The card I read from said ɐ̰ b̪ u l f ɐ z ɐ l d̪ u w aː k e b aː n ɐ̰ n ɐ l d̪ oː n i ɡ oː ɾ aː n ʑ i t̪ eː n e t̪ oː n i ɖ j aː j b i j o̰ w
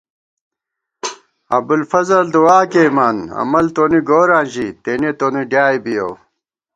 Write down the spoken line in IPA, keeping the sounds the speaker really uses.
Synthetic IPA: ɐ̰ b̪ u l f ɐ z ɐ l d̪ u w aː k e m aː n ɐ̰ m ɐ l t̪ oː n i ɡ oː ɾ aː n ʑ i t̪ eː n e t̪ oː n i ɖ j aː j b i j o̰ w